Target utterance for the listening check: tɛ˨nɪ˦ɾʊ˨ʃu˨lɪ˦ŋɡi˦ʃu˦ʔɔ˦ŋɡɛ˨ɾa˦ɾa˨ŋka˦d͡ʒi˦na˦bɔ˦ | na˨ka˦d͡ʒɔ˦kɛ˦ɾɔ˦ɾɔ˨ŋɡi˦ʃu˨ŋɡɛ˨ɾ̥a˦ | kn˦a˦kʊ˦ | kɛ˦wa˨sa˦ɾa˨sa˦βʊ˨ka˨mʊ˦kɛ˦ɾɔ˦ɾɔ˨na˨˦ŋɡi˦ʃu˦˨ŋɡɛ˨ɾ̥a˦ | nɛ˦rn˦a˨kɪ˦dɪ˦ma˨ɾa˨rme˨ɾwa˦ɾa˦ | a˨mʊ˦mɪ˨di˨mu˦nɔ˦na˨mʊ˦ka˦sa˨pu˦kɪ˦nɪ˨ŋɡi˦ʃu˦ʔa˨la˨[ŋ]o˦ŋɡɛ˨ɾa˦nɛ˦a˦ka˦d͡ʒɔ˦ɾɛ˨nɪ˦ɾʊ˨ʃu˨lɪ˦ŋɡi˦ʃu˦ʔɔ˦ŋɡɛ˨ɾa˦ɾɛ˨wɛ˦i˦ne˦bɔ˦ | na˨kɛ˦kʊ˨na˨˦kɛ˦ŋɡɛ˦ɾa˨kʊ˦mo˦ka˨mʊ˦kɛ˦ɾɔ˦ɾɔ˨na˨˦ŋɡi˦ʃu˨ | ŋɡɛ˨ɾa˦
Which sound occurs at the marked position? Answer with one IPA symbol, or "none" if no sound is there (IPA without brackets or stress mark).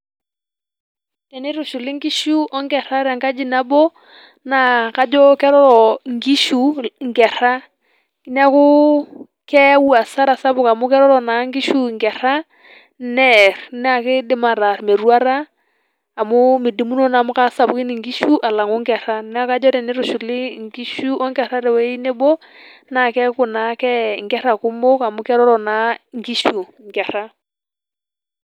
ŋ